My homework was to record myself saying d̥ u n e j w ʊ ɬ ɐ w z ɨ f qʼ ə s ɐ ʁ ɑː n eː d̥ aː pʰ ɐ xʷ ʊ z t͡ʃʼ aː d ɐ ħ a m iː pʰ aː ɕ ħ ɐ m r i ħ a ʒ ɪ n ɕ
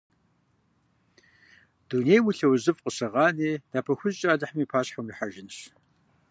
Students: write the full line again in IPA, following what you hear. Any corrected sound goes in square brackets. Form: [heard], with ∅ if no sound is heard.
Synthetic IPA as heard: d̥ u n e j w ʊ ɬ ɐ w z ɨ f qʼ ə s ɐ ʁ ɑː n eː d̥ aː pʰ ɐ xʷ ʊ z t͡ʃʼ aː d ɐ ħ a m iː pʰ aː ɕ ħ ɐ m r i ħ a ʒ ɪ n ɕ